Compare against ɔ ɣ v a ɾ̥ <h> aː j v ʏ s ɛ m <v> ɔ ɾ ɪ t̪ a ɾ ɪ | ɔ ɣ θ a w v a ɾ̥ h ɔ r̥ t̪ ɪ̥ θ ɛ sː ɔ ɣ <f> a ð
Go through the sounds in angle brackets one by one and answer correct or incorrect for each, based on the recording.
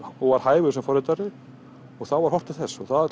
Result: correct, incorrect: f, incorrect: θ

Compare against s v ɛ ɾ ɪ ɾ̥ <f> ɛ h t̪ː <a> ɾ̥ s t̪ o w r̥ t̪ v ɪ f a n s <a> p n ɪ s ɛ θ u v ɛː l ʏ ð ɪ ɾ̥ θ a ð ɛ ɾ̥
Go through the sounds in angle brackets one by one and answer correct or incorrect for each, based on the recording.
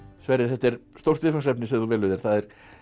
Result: incorrect: θ, incorrect: ɛ, incorrect: ɛ

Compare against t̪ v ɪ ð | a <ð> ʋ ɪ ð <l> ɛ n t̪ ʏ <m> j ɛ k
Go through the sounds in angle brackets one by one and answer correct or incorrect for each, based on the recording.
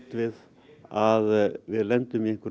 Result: correct, correct, correct

